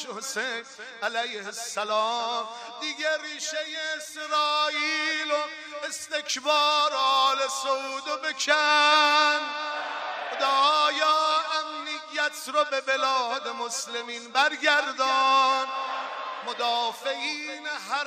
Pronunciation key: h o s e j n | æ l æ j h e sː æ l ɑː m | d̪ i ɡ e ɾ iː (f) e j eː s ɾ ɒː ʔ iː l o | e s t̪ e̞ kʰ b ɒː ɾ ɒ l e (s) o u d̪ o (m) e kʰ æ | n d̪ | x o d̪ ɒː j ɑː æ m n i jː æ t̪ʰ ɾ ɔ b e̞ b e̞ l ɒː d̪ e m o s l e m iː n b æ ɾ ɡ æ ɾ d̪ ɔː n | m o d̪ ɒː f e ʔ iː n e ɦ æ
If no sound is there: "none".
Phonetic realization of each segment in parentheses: ʃ, s, b

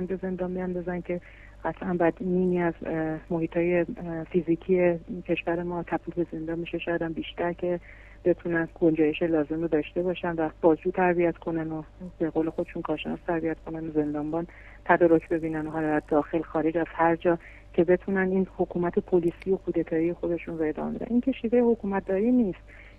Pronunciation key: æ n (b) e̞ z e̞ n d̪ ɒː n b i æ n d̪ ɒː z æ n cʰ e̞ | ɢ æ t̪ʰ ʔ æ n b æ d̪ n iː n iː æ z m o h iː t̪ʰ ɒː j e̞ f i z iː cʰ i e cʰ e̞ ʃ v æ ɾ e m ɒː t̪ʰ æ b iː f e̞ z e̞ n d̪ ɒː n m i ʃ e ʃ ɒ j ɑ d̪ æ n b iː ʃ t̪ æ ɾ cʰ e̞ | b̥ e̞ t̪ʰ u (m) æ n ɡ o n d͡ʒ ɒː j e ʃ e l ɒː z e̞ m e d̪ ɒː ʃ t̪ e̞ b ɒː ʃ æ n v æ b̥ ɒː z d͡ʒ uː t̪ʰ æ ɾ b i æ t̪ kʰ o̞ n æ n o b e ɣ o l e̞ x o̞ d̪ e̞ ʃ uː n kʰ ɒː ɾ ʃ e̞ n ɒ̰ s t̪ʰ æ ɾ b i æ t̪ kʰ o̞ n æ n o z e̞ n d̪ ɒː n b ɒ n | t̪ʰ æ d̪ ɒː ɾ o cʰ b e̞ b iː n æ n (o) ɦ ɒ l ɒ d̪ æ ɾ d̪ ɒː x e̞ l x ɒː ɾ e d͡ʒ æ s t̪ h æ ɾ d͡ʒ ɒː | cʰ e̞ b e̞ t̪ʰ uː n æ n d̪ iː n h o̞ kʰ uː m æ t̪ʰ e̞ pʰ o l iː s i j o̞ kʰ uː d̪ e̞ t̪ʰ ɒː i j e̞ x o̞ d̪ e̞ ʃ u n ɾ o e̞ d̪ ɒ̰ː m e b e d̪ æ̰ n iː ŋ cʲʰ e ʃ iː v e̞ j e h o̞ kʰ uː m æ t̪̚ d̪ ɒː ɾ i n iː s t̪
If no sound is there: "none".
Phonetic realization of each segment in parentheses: b, n, o

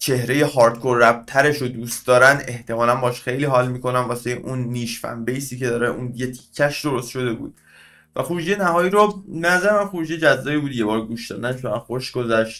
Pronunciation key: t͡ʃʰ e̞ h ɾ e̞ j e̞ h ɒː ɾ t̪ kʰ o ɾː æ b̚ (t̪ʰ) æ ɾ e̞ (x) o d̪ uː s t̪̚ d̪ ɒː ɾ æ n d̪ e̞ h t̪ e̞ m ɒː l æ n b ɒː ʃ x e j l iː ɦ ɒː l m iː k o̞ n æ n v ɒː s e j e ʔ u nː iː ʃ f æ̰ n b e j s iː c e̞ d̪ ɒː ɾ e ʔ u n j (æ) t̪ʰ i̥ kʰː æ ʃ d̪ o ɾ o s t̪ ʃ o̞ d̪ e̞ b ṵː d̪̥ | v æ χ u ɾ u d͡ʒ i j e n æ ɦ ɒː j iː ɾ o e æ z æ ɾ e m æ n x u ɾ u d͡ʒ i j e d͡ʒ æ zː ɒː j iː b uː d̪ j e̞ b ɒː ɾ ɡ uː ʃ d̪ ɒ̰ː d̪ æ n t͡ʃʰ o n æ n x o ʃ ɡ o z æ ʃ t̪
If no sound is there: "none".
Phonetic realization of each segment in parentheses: t̪ʰ, ʃ, e

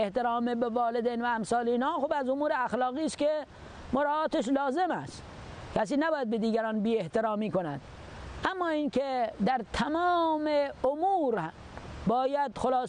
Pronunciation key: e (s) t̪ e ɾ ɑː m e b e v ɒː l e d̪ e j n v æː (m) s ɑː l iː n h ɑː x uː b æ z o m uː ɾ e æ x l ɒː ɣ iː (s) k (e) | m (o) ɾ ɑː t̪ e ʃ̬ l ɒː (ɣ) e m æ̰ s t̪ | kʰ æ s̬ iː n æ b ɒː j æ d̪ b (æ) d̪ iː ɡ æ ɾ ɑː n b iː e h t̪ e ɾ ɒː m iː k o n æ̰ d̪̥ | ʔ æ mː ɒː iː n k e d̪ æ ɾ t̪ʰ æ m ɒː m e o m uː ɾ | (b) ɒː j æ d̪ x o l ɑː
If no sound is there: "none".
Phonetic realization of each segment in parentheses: h, m, s, e, o, z, e, b

